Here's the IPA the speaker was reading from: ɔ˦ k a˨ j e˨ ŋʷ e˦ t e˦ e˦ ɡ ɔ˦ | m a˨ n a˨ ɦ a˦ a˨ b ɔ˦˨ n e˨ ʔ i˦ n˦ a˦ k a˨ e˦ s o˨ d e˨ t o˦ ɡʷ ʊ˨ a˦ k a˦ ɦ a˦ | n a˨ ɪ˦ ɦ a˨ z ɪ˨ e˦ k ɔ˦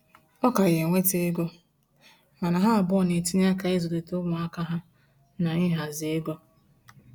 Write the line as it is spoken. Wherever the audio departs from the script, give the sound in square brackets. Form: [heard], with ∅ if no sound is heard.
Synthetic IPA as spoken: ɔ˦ k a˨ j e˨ ŋʷ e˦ t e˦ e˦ ɡ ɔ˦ | m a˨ n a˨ ɦ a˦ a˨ b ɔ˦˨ n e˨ [t] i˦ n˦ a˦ k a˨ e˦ [z] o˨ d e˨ t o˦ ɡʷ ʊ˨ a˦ k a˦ ɦ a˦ | n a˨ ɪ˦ ɦ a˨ z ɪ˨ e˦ [ɡ] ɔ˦